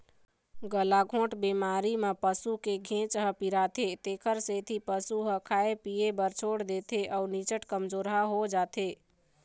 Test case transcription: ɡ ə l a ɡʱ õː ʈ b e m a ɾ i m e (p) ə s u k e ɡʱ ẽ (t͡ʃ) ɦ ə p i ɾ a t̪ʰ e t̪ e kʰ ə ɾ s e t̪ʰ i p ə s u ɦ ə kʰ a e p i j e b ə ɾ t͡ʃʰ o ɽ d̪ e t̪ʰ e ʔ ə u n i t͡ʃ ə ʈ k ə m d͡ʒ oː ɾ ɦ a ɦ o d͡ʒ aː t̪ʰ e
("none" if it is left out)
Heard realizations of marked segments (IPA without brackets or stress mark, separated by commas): p, t͡ʃ